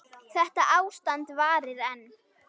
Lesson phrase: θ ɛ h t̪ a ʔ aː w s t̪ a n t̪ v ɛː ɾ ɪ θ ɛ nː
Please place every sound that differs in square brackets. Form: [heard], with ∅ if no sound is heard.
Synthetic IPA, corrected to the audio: θ ɛ h t̪ a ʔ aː w s t̪ a n t̪ v [aː] ɾ ɪ [ð] ɛ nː